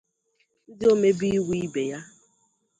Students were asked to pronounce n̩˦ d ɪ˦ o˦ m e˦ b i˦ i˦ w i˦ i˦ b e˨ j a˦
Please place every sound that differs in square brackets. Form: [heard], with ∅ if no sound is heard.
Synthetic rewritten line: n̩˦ d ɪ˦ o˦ m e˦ b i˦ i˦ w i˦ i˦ b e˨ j a˦